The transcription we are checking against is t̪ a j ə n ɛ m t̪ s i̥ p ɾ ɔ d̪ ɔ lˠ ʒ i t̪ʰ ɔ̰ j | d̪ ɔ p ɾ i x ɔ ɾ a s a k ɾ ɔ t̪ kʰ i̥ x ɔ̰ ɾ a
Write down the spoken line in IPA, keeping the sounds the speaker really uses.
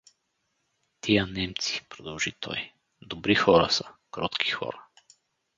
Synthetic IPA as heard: t̪ i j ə n ɛ m t̪ s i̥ p ɾ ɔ d̪ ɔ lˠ ʒ i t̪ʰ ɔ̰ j | d̪ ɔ b ɾ i x ɔ ɾ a s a k ɾ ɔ t̪ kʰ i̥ x ɔ̰ ɾ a

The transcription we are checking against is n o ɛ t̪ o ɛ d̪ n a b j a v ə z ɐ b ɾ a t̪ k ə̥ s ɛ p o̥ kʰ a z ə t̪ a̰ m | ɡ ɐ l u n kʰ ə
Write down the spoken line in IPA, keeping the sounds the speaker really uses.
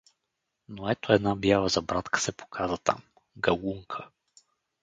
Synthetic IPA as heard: n o ɛ t̪ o ɛ d̪ n a b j a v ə z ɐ b ɾ a t̪ k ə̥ s ɛ p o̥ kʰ a z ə t̪ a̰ m | ɡ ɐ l u ŋ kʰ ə

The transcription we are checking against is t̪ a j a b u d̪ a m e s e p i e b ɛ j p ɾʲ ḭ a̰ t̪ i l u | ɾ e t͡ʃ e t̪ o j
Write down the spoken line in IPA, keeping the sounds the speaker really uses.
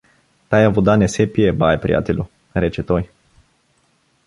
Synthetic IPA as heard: t̪ a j a v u d̪ a n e s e p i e b a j p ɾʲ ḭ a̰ t̪ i l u | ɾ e t͡ʃ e t̪ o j

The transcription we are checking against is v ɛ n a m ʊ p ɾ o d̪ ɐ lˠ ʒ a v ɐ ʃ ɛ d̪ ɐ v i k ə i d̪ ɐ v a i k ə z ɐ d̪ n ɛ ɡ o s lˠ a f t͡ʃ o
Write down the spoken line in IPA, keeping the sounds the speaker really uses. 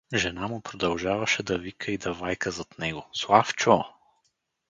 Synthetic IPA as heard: ʒ ɛ n a m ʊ p ɾ o d̪ ɐ lˠ ʒ a v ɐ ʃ ɛ d̪ ɐ v i k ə i d̪ ɐ v a j k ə z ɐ t̪ n ɛ ɡ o s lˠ a f t͡ʃ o

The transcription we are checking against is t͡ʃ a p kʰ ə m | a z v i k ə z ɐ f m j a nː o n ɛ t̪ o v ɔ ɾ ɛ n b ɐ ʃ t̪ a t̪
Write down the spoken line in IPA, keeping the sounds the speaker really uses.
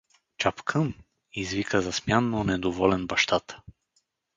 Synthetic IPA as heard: t͡ʃ a p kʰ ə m | i z v i k ə z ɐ s m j a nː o n ɛ d̪ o v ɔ l ɛ n b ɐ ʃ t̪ a t̪

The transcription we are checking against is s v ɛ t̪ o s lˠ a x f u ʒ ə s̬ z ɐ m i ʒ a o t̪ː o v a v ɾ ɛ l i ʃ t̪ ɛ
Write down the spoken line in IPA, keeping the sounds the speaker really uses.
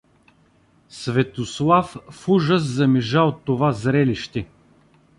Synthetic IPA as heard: s v ɛ t̪ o s lˠ a f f u ʒ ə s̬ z ɐ m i ʒ a o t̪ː o v a z ɾ ɛ l i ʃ t̪ ɛ

